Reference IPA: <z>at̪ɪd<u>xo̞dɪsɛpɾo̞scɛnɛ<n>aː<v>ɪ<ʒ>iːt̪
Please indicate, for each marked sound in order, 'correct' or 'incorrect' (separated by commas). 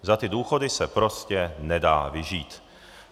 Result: correct, incorrect, incorrect, correct, correct